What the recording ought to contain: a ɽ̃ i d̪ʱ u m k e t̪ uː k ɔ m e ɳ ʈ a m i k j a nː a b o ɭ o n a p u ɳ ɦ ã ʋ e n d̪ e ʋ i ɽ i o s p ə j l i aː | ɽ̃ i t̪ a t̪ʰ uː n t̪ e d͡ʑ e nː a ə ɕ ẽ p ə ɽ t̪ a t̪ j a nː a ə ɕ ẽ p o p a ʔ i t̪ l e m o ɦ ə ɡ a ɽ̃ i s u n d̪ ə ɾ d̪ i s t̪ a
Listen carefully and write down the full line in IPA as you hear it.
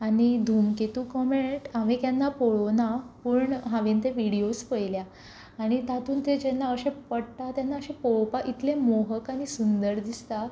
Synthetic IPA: a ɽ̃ i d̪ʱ u m k e t̪ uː k ɔ m e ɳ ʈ a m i k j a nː a p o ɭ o n a p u ɳ ɦ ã ʋ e n t̪ e ʋ i ɽ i o s p ə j l j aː | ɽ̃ i t̪ a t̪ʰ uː n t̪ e d͡ʑ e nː a ə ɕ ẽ p ə ɽ t̪ a t̪ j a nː a ə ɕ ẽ p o p a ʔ i t̪ l e m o ɦ ə k a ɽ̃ i s u n d̪ ə ɾ d̪ i s t̪ a

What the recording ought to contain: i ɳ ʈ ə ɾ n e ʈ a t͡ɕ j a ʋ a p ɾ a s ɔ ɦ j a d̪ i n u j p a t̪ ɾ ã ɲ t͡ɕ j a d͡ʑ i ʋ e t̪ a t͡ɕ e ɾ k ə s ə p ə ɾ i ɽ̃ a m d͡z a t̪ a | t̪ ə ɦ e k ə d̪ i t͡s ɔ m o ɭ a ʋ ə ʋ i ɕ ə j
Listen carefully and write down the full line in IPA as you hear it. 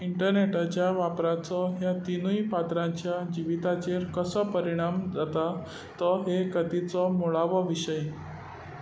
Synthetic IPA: i ɳ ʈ ə ɾ n e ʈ a t͡ɕ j a ʋ a p ɾ a t͡s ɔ ɦ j a t̪ i n u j p a t̪ ɾ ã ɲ t͡ɕ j a d͡ʑ i ʋ i t̪ a t͡ɕ e ɾ k ə s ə p ə ɾ i ɽ̃ a m d͡z a t̪ a | t̪ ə ɦ e k ə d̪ i t͡s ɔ m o ɭ a ʋ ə ʋ i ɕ ə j

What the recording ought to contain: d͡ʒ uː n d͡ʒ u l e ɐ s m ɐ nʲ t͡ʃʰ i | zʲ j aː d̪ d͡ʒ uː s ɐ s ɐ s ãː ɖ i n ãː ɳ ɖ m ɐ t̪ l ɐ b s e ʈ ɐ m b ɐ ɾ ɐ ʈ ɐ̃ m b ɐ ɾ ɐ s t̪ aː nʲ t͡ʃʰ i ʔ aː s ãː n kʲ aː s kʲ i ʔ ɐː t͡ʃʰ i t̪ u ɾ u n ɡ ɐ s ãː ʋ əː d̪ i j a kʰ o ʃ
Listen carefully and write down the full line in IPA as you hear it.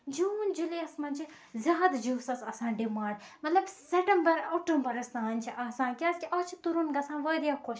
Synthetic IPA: d͡ʒ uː n d͡ʒ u l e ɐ s m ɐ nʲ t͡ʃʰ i | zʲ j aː d̪ d͡ʒ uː s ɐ s ɐ s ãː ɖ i m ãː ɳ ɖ m ɐ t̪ l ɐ b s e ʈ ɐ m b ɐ ɾ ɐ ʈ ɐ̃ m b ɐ ɾ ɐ s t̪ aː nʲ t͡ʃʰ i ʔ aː s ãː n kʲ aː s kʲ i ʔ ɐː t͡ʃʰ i t̪ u ɾ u n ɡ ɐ s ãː ʋ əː d̪ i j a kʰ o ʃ

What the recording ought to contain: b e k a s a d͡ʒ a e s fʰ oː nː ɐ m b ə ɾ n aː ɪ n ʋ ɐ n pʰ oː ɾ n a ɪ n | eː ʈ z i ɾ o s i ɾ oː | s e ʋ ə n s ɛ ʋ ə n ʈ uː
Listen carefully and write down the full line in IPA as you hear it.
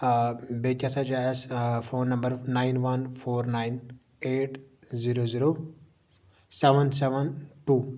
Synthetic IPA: b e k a s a d͡ʒ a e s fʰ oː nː ɐ m b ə ɾ n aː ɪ n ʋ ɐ n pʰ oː ɾ n a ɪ n | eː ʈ z i ɾ o z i ɾ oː | s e ʋ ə n s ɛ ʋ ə n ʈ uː

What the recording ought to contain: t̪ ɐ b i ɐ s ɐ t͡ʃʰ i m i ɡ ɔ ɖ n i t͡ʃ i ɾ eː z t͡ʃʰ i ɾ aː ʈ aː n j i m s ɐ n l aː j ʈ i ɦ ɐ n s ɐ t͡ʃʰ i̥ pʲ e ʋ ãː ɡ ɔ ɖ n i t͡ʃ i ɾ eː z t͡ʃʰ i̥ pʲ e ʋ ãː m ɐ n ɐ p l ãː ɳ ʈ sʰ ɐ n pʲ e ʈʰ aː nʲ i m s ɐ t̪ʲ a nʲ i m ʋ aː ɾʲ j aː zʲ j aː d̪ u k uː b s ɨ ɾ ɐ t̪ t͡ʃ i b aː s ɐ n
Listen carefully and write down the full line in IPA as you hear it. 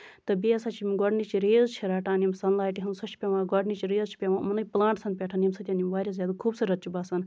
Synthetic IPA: t̪ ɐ b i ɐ s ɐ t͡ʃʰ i m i ɡ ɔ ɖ n i t͡ʃ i ɾ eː z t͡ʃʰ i ɾ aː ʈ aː n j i m s ɐ n l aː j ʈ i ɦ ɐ n s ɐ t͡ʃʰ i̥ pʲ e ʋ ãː ɡ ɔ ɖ n i t͡ʃ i ɾ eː z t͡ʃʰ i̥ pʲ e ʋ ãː m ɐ n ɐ p l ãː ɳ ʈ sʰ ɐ n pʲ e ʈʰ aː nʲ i m s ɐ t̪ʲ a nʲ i m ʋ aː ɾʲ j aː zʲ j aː d̪ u kʰ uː b s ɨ ɾ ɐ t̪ t͡ʃ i b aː s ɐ n

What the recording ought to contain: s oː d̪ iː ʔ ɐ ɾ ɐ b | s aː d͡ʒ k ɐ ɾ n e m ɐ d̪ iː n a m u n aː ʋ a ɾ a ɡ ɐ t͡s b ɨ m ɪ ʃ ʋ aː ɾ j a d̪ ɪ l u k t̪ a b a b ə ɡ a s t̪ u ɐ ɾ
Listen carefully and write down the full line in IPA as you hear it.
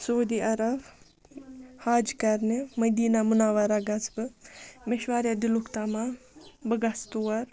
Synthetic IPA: s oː d̪ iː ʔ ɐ ɾ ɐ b | h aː d͡ʒ k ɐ ɾ n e m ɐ d̪ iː n a m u n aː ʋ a ɾ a ɡ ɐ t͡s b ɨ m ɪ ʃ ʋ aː ɾ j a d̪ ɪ l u k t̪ a m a b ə ɡ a s t̪ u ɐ ɾ

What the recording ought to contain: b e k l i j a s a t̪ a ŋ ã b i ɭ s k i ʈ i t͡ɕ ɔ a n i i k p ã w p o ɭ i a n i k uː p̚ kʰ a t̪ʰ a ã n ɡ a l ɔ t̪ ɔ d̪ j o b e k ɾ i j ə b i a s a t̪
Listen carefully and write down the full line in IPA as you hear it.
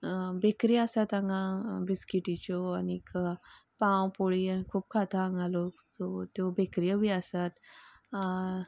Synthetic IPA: b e k ɾ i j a s a t̪ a ŋ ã b i s k i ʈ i t͡ɕ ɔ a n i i k p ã w p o ɭ i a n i kʰ uː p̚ kʰ a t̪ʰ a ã ŋ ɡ a l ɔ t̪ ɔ t̪ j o b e k ɾ i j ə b i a s a t̪

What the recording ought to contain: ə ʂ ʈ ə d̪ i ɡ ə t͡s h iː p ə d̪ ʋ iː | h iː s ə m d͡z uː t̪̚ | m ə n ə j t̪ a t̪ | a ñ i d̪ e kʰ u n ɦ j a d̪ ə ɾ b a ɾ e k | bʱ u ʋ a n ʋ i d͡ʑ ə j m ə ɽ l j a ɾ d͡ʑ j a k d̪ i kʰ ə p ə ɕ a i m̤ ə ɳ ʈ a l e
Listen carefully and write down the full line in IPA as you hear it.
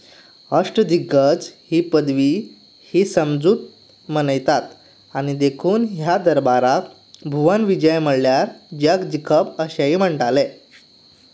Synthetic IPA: ə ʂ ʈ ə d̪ i ɡ ə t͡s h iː p ə d̪ ʋ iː | h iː s ə m d͡z uː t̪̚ | m ə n ə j t̪ a t̪ | a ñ i d̪ e kʰ uː n ɦ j a d̪ ə ɾ b a ɾ a k | bʱ u ʋ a n ʋ i d͡ʑ ə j m ə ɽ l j a ɾ d͡ʑ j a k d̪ i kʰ ə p ə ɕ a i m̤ ə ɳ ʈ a l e

